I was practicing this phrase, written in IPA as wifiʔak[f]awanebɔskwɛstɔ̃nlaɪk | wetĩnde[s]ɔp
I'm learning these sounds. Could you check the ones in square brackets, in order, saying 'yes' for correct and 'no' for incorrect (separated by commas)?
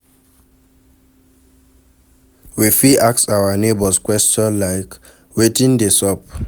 no, yes